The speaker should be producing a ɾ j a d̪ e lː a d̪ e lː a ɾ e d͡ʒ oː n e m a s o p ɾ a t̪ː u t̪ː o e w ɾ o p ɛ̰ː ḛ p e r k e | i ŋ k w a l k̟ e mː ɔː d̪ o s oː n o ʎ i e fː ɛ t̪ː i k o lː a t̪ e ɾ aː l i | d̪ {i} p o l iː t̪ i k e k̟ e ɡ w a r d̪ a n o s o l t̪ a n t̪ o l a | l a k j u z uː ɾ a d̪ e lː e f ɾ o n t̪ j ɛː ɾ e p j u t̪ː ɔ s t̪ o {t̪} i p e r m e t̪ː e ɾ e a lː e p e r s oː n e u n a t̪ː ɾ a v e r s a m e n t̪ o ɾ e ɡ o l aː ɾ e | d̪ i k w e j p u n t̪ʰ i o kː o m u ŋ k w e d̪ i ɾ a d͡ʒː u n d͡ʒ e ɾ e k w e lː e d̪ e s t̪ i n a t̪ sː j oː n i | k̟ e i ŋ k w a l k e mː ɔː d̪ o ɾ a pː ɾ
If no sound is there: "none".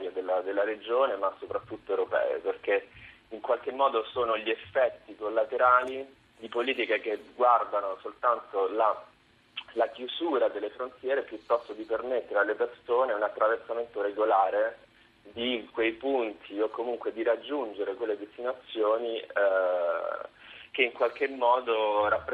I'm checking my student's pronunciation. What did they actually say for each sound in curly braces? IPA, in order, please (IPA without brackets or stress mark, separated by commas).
i, d̪